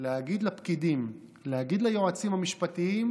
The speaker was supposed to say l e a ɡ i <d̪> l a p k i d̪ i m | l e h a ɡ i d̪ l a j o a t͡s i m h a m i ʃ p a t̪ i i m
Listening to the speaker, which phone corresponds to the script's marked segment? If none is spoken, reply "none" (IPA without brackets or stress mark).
d̪